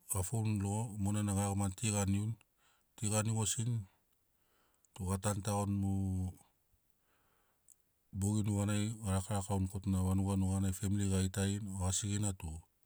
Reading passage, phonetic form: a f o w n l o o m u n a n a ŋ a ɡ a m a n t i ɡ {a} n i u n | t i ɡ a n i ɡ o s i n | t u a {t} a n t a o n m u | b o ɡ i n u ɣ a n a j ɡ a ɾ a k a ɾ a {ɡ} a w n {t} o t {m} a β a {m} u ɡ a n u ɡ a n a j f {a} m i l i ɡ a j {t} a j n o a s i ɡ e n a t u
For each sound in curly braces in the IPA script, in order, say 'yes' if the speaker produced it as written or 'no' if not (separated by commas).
yes, yes, no, no, no, no, no, yes